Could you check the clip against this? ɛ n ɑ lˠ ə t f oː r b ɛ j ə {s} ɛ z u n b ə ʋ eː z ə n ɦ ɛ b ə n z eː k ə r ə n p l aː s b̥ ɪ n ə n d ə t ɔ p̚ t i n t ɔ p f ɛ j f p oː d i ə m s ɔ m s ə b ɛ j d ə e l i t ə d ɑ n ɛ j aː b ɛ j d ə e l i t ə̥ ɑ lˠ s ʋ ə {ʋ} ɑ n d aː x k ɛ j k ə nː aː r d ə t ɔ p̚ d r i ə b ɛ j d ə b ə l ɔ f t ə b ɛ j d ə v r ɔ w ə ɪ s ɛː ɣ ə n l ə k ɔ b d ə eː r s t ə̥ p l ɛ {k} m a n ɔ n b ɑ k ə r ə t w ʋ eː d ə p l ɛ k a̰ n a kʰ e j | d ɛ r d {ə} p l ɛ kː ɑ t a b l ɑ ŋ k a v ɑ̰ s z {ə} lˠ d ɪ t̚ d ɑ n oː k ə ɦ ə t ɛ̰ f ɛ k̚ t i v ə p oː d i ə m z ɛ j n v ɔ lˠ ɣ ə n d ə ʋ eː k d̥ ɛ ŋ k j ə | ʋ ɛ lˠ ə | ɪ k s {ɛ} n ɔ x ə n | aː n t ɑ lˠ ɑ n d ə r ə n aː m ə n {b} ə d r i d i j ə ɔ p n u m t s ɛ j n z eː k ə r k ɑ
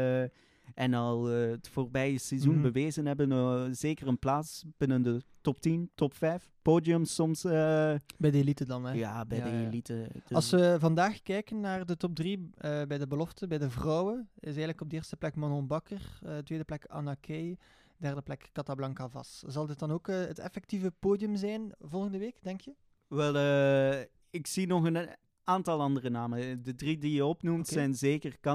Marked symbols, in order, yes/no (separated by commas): yes, no, yes, yes, no, no, no